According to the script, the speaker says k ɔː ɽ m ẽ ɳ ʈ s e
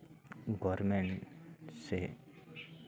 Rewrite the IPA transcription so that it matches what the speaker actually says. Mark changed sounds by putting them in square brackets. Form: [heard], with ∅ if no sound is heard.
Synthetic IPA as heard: [ɡ] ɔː [ɾ] m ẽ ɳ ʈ s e